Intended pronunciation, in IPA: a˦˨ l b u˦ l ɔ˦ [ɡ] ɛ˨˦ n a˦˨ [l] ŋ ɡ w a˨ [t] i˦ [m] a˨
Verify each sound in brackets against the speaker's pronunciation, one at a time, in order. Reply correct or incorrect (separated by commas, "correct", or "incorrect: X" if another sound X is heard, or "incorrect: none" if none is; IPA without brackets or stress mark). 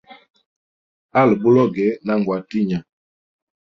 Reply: correct, incorrect: none, correct, incorrect: ɲ